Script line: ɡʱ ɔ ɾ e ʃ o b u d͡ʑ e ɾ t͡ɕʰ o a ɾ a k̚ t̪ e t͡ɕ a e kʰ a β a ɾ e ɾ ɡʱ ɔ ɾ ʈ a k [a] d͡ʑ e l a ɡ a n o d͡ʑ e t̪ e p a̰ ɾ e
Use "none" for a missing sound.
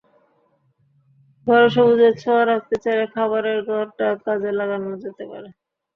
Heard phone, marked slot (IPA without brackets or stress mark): a